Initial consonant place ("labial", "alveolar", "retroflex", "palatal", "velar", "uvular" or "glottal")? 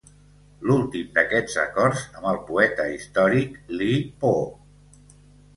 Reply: alveolar